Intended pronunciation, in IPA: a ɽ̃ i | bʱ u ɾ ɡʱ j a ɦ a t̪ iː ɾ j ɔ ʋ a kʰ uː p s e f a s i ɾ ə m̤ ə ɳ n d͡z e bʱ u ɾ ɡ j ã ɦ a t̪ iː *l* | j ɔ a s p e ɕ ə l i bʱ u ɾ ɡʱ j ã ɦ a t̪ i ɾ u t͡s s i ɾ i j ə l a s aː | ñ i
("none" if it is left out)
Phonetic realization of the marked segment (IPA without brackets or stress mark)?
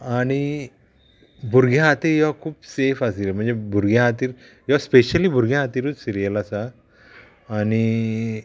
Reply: ɾ